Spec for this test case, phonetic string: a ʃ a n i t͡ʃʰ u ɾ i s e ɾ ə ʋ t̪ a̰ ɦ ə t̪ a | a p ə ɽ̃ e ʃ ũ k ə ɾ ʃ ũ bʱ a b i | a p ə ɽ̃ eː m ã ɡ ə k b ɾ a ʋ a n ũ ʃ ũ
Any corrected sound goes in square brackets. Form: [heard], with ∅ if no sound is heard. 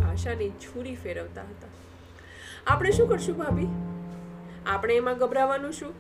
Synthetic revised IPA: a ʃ a n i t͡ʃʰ u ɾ i [f] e ɾ ə ʋ t̪ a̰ ɦ ə t̪ a | a p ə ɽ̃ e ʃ ũ k ə ɾ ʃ ũ bʱ a b i | a p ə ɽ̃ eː m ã ɡ ə [∅] b ɾ a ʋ a n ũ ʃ ũ